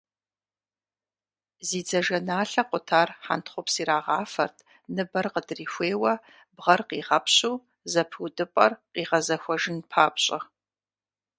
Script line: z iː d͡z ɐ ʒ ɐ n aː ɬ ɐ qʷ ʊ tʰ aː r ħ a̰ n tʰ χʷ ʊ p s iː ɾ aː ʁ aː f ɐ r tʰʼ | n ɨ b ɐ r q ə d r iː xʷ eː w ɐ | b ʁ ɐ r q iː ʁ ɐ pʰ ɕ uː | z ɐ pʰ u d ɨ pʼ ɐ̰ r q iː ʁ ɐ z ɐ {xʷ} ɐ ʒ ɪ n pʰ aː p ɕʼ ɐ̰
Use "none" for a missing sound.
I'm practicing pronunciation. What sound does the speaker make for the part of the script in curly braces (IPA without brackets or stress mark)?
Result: xʷ